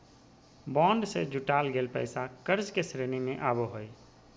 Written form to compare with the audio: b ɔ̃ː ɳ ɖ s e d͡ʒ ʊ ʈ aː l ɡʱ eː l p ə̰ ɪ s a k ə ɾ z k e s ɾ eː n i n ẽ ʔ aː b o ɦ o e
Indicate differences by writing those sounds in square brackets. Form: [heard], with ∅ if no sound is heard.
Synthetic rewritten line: b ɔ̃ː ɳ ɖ s e d͡ʒ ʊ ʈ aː l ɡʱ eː l p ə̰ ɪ s a k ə ɾ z k e s ɾ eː n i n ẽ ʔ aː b o ɦ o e